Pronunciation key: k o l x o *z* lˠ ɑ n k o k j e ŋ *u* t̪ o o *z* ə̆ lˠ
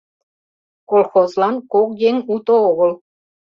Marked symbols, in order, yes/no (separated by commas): yes, yes, no